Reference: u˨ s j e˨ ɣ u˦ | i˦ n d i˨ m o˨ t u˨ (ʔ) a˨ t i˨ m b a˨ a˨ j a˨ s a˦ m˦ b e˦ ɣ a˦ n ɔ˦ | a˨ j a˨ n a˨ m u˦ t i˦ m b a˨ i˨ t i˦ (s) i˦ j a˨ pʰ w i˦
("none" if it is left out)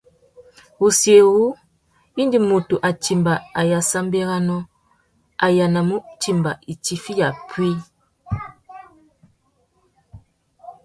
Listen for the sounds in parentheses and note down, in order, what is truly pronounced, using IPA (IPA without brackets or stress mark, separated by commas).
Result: ʔ, f